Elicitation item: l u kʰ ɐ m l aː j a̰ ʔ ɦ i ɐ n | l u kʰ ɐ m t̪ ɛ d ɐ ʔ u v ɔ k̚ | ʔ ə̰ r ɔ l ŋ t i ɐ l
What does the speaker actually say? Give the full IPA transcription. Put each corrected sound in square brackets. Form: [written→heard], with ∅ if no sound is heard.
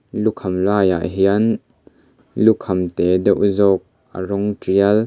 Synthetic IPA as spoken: l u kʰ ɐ m l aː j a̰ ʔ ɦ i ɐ n | l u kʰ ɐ m t̪ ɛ d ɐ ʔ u [v→z] ɔ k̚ | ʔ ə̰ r ɔ [l→∅] ŋ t i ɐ l